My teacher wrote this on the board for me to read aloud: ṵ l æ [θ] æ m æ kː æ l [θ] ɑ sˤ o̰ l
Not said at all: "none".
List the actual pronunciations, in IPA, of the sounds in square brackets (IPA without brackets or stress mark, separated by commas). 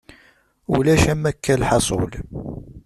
ʃ, ħ